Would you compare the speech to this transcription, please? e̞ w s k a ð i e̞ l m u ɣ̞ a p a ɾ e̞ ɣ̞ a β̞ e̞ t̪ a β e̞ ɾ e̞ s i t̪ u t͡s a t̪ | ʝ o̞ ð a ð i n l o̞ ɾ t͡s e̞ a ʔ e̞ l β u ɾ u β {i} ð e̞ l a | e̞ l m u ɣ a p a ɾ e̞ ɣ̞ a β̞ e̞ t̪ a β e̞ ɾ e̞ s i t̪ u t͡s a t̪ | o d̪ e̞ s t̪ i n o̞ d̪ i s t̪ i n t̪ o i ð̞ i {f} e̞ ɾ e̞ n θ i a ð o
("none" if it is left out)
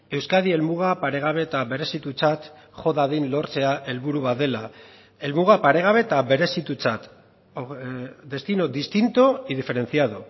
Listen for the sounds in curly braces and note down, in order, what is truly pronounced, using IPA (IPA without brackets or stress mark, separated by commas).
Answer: a, f